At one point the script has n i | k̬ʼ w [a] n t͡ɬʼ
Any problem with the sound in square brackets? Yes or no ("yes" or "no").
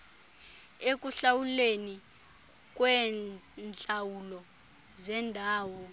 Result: yes